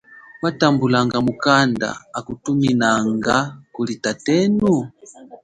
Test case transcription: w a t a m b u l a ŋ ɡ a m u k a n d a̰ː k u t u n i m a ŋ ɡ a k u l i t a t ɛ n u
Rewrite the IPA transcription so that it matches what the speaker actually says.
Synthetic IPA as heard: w a t a m b u l a ŋ ɡ a m u k a n d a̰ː k u t u m i n a ŋ ɡ a k u l i t a t ɛ n u